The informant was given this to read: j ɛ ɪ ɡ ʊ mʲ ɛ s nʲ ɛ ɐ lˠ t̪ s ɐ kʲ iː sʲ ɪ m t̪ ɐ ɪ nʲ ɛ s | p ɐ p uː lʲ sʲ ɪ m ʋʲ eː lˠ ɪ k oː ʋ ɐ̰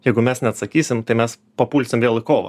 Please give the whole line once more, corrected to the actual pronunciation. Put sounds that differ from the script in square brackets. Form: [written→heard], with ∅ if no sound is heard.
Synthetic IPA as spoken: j ɛ ɪ ɡ ʊ mʲ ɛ s nʲ ɛ ɐ [lˠ→∅] t̪ s ɐ kʲ iː sʲ ɪ m t̪ ɐ ɪ [nʲ→mʲ] ɛ s | p ɐ p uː lʲ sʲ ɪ m ʋʲ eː lˠ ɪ k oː ʋ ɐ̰